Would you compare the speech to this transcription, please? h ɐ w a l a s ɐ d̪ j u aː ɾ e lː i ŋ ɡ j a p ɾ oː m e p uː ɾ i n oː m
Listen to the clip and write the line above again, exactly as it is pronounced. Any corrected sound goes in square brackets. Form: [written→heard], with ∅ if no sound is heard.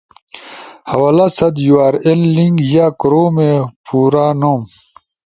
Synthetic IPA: h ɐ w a l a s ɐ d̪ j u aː ɾ e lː i ŋ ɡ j a [p→k] ɾ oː m e p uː ɾ [i→a] n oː m